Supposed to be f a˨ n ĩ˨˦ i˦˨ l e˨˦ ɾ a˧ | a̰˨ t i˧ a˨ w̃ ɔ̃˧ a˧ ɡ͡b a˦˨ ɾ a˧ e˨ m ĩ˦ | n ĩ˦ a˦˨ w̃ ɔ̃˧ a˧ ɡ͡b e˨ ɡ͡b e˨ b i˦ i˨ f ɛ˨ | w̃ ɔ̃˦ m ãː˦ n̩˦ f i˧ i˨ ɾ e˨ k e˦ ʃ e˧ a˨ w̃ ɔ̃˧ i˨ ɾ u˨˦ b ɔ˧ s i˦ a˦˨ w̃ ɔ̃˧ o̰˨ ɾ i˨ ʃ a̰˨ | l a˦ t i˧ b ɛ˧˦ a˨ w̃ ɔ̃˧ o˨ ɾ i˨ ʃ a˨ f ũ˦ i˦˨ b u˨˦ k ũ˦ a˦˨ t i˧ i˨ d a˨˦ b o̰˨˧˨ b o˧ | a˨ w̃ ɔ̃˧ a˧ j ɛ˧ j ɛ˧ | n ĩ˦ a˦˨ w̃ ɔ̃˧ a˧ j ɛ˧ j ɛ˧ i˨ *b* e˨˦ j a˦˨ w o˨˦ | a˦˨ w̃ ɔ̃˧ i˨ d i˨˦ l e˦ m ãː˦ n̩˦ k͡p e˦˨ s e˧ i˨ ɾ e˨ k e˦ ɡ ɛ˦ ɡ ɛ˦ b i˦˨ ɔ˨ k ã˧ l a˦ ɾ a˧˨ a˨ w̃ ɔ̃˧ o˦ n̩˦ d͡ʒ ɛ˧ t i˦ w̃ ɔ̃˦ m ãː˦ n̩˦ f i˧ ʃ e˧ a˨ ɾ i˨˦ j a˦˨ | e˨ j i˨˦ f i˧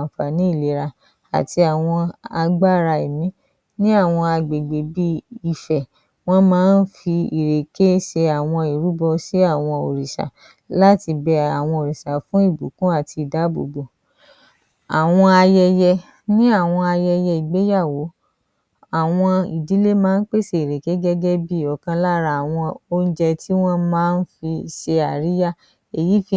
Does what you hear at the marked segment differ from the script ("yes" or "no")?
yes